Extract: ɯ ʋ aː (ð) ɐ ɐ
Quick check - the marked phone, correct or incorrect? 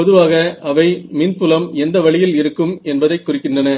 incorrect